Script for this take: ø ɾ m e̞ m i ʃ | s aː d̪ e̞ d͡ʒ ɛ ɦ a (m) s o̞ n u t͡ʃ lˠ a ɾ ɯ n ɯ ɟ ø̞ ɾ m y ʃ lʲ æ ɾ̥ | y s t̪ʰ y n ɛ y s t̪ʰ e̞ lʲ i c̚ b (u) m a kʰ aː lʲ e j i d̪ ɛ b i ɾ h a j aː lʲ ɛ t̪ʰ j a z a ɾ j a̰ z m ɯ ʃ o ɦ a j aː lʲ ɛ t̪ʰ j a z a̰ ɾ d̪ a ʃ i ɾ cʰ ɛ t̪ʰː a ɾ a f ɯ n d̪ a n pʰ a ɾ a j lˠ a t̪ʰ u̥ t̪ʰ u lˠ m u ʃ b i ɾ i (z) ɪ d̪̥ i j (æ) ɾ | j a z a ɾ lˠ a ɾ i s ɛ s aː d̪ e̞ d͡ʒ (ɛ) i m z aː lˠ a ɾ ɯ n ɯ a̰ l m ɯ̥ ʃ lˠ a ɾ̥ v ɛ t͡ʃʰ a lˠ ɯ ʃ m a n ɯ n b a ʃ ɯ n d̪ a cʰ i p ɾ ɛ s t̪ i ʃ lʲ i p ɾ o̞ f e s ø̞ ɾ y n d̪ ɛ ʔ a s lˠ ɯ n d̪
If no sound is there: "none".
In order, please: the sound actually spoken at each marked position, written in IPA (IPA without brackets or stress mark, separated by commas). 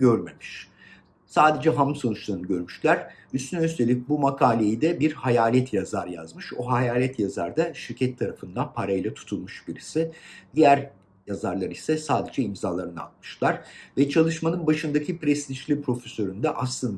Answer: m, u, s, æ, ɛ